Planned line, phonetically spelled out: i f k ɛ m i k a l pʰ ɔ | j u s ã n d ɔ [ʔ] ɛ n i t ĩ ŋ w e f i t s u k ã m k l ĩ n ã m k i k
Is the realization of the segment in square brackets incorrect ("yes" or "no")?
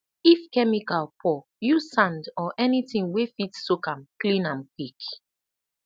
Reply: no